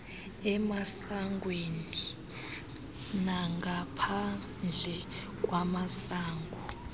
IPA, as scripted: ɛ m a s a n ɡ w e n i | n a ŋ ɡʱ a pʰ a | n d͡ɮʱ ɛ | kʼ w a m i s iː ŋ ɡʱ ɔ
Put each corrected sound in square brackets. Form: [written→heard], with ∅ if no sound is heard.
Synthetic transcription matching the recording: ɛ m a s a [n→ŋ] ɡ w e n i | n a ŋ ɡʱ a pʰ a | n d͡ɮʱ ɛ | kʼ w a m [i→a] s [iː→aː] ŋ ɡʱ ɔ